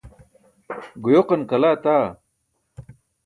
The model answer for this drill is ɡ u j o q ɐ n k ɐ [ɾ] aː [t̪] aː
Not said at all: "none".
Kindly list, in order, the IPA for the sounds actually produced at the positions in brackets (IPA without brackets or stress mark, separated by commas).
l, t̪